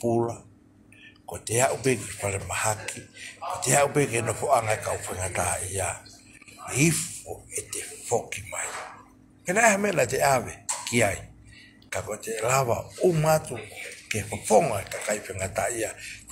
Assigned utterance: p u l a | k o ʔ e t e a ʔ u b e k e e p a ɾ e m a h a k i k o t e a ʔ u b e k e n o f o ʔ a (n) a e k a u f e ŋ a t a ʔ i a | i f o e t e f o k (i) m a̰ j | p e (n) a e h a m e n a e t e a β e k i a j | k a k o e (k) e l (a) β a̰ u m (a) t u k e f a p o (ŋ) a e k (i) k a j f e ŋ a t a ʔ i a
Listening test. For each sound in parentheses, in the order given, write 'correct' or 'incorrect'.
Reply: incorrect: ŋ, correct, correct, incorrect: t, correct, correct, correct, incorrect: a

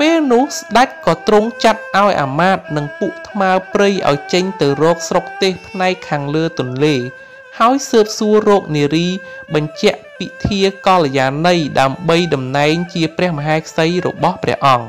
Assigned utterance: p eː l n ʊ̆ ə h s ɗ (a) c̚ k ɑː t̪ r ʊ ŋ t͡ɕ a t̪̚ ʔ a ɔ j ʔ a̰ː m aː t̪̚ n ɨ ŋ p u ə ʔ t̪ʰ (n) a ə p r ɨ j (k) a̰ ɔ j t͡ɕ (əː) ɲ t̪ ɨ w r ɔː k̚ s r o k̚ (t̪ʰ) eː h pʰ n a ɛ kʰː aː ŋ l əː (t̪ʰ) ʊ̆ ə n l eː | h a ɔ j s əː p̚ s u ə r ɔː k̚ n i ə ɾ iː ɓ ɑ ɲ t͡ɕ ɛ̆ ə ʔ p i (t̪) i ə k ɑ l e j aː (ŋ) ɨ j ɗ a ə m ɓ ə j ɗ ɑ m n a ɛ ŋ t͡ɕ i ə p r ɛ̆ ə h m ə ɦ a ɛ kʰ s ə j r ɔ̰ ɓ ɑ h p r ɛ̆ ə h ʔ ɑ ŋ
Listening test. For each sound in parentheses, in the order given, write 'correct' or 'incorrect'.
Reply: correct, incorrect: m, incorrect: ʔ, incorrect: ə, incorrect: t̪, incorrect: t̪, incorrect: t̪ʰ, incorrect: n

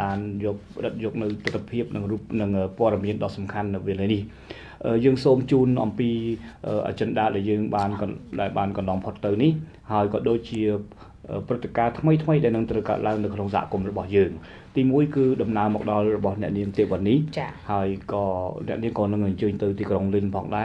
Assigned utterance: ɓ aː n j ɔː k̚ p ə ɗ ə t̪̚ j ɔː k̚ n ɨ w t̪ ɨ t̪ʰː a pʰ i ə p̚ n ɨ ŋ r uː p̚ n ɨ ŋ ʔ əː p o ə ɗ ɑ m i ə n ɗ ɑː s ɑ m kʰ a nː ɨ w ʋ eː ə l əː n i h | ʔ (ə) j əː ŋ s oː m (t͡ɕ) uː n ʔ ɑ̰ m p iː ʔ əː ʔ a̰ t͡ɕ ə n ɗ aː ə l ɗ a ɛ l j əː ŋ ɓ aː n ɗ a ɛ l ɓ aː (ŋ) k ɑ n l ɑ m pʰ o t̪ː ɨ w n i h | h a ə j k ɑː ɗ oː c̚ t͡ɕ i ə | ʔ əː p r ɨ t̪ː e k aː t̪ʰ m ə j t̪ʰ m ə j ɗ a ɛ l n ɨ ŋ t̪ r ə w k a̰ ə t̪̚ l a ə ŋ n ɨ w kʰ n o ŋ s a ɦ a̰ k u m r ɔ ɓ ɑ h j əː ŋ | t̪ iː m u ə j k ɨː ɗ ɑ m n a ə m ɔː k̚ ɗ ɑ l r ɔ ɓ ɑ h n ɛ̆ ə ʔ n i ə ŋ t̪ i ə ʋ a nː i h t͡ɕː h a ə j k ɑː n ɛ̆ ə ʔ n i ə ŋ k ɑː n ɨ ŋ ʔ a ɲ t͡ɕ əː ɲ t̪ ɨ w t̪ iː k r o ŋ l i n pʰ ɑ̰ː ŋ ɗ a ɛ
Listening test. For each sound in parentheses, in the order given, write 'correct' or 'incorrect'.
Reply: incorrect: əː, correct, incorrect: n

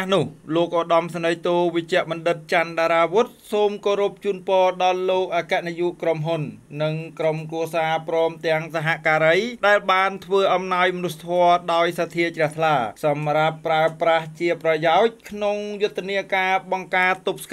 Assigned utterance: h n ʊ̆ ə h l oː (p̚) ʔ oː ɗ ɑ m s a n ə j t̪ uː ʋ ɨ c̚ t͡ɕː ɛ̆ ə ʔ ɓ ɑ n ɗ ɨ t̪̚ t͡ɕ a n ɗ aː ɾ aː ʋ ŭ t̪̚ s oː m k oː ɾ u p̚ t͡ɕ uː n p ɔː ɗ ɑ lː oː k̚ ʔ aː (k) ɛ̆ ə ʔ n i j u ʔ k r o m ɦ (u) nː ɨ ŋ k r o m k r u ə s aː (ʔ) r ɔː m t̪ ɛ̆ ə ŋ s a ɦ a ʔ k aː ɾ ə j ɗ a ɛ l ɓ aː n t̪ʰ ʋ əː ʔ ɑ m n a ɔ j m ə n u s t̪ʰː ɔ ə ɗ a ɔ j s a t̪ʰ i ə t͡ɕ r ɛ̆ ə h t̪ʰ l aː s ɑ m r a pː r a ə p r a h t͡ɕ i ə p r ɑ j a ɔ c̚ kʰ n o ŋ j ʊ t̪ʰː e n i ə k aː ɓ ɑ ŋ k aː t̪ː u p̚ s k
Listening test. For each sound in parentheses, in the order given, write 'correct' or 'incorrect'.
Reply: incorrect: k̚, correct, correct, incorrect: p

